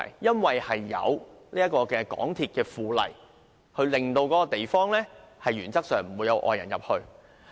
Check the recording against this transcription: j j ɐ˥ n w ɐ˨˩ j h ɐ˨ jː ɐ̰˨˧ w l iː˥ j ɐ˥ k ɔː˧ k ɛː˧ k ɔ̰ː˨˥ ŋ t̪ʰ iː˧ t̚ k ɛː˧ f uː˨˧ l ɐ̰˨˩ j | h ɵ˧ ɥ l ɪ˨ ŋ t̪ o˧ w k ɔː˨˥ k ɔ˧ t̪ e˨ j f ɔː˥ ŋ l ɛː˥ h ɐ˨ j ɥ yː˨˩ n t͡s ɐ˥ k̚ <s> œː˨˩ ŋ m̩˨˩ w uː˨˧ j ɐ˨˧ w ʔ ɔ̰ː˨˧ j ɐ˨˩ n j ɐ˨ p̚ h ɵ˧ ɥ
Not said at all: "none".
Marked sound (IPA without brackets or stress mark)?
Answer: s